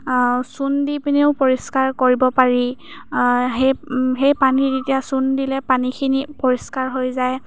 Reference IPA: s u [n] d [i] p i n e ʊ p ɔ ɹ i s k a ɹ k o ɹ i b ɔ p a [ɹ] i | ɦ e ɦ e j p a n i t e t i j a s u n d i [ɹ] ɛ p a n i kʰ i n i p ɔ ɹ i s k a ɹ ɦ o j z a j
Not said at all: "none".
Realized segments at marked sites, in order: n, i, ɹ, l

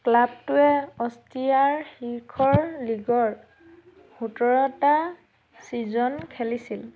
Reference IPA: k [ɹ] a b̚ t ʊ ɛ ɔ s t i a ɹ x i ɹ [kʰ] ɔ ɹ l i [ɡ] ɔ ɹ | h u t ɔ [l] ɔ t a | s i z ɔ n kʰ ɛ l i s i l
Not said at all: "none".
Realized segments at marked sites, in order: l, kʰ, ɡ, ɹ

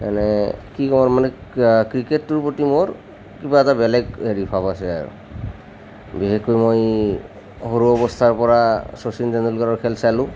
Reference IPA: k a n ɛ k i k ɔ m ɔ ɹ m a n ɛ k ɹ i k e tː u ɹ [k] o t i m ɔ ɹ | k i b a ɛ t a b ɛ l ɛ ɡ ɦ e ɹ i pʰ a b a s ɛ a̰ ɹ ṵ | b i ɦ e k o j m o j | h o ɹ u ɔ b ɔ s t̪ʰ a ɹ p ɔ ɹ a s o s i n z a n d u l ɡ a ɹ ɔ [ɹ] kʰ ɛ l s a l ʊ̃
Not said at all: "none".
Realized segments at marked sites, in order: p, ɹ

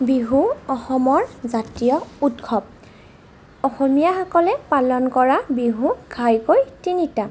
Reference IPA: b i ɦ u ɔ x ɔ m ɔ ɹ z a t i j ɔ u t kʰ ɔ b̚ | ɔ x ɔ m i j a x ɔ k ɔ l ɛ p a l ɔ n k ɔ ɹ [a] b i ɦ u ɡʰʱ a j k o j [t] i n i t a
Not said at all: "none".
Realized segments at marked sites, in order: a, t

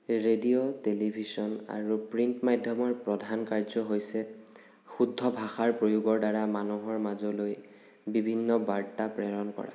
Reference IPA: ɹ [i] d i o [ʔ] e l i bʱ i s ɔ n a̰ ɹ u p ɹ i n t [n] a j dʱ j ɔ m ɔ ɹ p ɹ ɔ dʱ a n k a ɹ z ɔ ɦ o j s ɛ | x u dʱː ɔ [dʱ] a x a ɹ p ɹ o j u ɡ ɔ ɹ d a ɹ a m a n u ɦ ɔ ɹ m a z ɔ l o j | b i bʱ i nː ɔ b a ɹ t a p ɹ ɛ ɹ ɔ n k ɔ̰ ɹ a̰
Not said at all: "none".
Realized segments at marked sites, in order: e, t, m, bʱ

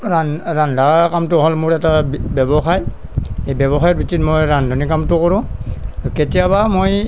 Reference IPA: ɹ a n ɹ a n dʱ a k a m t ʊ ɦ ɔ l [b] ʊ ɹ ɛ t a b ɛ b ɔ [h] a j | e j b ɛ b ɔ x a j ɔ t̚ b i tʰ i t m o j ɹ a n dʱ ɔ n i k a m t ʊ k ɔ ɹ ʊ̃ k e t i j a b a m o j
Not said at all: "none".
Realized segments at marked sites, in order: m, x

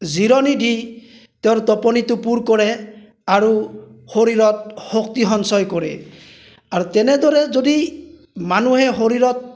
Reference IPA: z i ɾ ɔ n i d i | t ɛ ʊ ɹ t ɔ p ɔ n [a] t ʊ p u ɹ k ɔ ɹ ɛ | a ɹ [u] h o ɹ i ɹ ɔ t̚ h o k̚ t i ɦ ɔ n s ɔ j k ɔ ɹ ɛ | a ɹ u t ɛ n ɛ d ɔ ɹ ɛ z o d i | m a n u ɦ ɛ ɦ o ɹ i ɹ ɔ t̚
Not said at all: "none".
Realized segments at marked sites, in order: i, u

